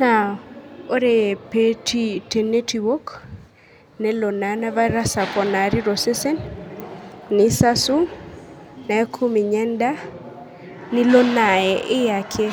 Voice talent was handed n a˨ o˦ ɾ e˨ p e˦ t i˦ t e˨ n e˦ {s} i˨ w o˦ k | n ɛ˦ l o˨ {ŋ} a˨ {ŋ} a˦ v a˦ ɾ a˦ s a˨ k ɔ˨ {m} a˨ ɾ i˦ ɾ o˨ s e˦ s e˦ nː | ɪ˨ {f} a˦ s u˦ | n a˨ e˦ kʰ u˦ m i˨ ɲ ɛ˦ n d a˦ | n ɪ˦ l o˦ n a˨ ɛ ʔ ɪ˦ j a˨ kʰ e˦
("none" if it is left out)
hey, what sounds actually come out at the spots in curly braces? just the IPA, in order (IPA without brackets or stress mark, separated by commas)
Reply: t, n, n, n, s